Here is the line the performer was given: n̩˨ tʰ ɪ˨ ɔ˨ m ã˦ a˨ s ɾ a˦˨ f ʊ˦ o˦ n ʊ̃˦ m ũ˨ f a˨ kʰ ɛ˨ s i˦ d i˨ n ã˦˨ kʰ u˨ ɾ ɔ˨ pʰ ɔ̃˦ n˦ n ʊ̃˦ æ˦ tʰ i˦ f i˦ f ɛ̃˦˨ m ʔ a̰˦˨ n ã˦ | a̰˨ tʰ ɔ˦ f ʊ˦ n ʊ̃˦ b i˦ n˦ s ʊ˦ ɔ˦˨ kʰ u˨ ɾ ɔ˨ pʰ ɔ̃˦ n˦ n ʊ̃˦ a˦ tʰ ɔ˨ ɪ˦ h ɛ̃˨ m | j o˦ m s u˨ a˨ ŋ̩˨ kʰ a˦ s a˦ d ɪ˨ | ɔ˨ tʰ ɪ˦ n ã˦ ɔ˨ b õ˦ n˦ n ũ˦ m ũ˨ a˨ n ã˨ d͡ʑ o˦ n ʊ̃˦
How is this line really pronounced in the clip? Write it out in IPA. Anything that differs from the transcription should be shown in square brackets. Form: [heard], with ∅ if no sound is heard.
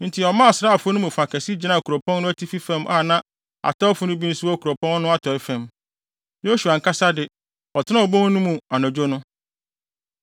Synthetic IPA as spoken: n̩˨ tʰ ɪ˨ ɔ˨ m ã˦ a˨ s ɾ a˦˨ f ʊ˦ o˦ n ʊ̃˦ m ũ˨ f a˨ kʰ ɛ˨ s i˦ [d͡ʑ] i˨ n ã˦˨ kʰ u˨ ɾ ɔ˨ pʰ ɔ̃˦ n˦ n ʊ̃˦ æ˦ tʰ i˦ f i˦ f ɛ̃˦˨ m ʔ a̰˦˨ n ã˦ | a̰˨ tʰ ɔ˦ f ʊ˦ n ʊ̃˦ b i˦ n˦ s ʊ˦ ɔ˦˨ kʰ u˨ ɾ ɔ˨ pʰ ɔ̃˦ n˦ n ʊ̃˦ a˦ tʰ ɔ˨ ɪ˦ [f] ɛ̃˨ m | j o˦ [∅] s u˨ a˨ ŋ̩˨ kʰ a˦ s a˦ d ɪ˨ | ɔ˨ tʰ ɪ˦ n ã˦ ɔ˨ b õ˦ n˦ n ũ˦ m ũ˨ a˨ n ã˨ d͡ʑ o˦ n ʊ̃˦